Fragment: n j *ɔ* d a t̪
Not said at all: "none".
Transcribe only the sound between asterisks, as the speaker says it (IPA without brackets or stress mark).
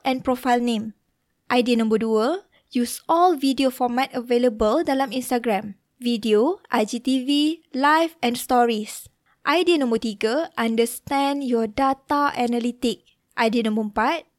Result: ɔ